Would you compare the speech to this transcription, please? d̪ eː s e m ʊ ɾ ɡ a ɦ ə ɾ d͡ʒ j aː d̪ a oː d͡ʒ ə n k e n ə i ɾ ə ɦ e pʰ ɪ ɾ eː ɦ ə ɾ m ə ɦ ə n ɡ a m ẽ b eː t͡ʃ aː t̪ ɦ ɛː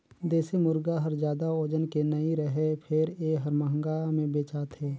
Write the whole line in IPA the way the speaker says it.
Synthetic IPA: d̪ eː s e m ʊ ɾ ɡ a ɦ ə ɾ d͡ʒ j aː d̪ a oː d͡ʒ ə n k e n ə i ɾ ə ɦ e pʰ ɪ ɾ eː ɦ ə ɾ m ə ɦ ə ŋ ɡ a m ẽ b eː t͡ʃ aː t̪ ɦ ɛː